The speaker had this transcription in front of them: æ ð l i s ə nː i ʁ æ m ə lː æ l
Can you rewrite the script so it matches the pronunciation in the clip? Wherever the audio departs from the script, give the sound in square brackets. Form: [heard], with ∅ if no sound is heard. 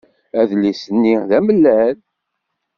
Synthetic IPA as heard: æ ð l i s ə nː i [ð] æ m ə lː æ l